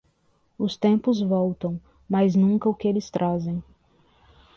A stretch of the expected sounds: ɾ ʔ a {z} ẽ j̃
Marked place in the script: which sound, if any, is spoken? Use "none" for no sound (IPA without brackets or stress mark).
z